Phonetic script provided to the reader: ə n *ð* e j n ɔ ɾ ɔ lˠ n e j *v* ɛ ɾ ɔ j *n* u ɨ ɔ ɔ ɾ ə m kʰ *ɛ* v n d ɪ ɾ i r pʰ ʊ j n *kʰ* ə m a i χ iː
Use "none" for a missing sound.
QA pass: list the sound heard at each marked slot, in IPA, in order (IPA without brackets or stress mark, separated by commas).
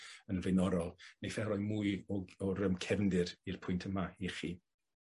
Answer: v, f, m, ɛ, tʰ